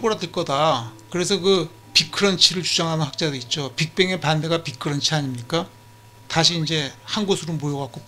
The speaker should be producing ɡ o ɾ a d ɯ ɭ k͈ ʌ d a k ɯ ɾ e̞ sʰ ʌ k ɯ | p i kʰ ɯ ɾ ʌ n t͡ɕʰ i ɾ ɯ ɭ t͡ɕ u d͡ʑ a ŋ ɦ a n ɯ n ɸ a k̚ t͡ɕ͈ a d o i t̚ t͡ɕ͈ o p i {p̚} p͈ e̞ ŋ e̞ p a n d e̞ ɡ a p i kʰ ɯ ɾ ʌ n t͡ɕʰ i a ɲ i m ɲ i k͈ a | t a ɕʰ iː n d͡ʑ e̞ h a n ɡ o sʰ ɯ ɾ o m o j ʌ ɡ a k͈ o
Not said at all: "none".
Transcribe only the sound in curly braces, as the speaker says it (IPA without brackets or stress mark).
k̚